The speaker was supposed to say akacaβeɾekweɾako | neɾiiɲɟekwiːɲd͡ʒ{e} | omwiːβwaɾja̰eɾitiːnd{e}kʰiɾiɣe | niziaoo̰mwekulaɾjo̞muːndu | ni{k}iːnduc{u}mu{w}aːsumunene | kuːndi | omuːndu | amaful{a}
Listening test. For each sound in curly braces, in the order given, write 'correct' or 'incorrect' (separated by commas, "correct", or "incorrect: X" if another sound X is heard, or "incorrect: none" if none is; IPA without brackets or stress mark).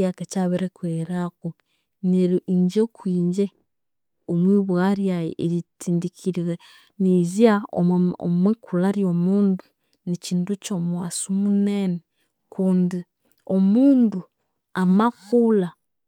correct, incorrect: i, incorrect: c, incorrect: o, correct, correct